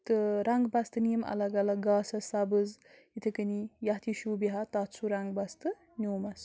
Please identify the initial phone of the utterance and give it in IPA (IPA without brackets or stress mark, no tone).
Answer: t̪